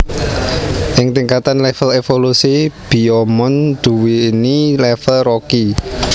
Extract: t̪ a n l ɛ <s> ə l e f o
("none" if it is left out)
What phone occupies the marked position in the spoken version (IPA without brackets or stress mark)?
f